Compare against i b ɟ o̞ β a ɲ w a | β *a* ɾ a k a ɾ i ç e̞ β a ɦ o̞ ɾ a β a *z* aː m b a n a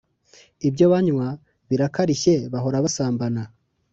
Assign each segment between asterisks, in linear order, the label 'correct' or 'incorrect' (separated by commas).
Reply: incorrect, incorrect